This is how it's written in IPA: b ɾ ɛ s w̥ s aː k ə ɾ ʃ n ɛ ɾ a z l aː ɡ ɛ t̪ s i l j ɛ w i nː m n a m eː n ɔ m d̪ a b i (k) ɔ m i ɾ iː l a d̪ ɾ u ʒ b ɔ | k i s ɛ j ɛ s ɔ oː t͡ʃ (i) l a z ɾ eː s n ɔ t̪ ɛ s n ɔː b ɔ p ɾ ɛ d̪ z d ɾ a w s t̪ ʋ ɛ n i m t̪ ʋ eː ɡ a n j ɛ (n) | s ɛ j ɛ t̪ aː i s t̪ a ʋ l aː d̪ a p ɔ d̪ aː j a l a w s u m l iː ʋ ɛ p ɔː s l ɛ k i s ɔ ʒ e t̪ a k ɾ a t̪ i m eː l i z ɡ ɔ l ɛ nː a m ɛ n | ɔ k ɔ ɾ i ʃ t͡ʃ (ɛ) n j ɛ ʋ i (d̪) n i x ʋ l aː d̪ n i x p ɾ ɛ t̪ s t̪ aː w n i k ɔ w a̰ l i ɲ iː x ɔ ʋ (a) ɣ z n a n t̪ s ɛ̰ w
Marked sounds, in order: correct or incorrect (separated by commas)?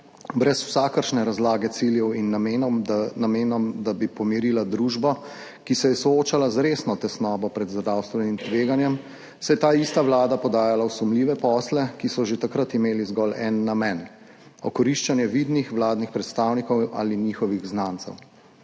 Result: incorrect, incorrect, incorrect, incorrect, correct, incorrect